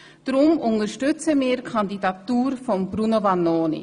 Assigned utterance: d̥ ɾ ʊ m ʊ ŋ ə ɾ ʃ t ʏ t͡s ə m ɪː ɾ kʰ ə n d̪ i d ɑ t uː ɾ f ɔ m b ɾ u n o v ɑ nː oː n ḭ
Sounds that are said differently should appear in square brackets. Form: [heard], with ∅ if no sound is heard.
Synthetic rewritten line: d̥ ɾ ʊ m ʊ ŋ ə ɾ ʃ t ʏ t͡s ə m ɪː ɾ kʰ [ɑ] n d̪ i d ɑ t uː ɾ f ɔ m b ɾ u n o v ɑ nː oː n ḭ